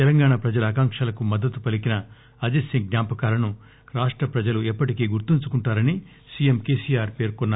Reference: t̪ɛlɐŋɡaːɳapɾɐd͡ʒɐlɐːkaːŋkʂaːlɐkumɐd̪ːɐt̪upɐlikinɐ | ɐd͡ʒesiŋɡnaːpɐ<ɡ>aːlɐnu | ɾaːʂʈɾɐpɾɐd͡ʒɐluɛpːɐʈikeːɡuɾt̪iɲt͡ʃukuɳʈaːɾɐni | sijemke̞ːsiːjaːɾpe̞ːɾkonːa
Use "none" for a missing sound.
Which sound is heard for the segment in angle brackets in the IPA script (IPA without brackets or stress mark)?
k